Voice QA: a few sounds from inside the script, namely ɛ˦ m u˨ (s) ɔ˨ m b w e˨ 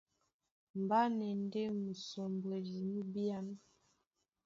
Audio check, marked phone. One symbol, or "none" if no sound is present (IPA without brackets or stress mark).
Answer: s